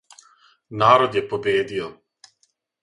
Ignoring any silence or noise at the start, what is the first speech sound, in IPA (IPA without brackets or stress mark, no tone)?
n